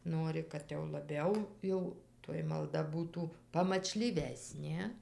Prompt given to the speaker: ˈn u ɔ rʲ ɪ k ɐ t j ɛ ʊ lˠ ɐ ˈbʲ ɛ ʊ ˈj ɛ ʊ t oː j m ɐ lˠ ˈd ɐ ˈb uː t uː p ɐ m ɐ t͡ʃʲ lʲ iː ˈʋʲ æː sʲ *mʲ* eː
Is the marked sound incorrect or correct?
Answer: incorrect